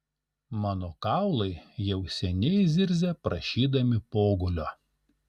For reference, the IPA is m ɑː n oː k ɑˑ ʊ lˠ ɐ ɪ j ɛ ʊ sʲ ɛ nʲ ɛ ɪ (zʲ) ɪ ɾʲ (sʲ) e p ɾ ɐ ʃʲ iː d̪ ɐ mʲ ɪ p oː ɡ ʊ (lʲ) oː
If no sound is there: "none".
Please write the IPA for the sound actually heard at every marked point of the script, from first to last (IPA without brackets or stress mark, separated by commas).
zʲ, zʲ, lʲ